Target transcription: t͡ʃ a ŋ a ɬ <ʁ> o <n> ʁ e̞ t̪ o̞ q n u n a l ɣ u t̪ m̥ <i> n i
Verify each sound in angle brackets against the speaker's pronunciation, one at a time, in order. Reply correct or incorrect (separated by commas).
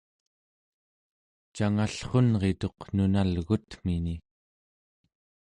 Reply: incorrect, correct, correct